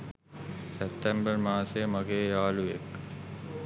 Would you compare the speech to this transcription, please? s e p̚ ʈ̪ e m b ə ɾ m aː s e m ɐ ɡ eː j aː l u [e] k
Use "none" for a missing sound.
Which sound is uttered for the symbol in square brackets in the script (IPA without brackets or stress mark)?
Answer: e